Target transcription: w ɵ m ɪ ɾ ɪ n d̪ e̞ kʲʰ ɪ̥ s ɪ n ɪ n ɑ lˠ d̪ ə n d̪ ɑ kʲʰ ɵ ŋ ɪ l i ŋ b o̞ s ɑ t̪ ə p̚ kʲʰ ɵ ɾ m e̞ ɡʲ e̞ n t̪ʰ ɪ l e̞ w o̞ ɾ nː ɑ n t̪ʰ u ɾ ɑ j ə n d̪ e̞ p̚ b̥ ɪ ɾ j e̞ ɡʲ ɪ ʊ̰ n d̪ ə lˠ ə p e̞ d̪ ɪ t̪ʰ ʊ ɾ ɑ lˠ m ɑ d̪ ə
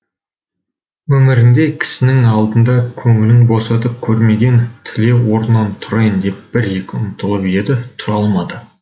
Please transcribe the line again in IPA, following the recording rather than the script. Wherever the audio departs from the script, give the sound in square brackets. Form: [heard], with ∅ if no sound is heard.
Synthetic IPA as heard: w ɵ m ɪ ɾ ɪ n d̪ e̞ kʲʰ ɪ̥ s ɪ n ɪ [ŋ] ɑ lˠ d̪ ə n d̪ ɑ kʲʰ ɵ ŋ ɪ l [ɪ] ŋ b o̞ s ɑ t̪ ə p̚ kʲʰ ɵ ɾ m e̞ ɡʲ e̞ n t̪ʰ ɪ l e̞ w o̞ ɾ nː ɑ n t̪ʰ [ʊ] ɾ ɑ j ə n d̪ e̞ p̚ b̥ ɪ ɾ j e̞ [kʲ] ɪ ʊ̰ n [t̪] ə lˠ ə p e̞ d̪ ɪ t̪ʰ ʊ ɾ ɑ lˠ m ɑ d̪ ə